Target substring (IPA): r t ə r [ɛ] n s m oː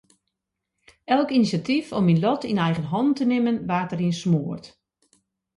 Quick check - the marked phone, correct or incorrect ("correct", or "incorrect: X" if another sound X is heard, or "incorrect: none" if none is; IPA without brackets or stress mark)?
incorrect: i